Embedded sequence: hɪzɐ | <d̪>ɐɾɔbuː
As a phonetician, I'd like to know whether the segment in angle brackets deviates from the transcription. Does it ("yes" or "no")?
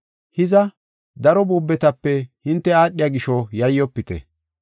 no